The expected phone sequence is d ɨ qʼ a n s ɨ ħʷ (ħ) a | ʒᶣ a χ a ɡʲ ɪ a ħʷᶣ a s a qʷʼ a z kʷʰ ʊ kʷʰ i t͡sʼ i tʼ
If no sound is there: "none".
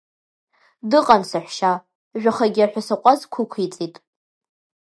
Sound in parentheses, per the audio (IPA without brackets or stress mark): ʃ